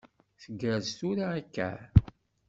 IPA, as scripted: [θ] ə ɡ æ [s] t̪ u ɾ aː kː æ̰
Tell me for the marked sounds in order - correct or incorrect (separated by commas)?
correct, incorrect